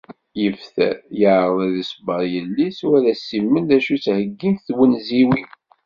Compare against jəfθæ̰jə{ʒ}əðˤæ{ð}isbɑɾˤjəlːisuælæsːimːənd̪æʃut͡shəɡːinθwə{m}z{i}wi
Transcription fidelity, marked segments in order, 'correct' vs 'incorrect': incorrect, correct, incorrect, correct

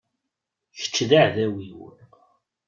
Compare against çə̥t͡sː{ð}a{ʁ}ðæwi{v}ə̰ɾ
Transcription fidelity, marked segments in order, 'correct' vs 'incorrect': correct, incorrect, incorrect

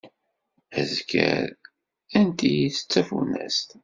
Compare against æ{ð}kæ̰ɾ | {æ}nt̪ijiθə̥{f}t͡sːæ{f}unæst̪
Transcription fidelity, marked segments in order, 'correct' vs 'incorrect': incorrect, correct, incorrect, correct

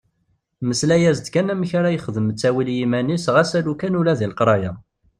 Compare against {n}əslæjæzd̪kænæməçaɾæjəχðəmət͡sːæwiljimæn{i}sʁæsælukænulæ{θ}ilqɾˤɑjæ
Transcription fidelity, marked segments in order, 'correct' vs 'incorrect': incorrect, correct, incorrect

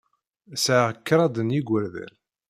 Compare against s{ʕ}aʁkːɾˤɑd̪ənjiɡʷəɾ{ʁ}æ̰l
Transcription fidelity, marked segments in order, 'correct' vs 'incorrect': correct, incorrect

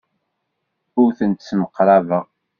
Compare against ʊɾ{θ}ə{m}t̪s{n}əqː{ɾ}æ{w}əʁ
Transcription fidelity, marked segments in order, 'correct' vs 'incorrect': correct, incorrect, incorrect, correct, incorrect

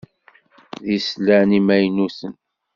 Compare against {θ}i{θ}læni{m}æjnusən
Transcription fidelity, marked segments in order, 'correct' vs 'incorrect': incorrect, incorrect, correct

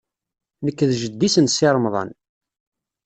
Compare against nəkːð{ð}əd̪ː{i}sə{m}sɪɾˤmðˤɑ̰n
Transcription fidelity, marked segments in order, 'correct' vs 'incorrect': incorrect, correct, incorrect

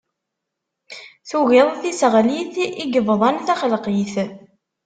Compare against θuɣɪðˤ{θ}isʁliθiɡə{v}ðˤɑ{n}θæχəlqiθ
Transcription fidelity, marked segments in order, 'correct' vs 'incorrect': correct, correct, correct

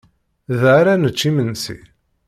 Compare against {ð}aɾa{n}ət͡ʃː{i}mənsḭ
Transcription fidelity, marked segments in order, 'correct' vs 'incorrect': correct, correct, correct

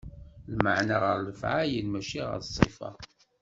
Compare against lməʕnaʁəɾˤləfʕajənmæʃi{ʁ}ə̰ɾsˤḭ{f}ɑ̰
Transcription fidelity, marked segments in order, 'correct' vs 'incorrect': correct, correct

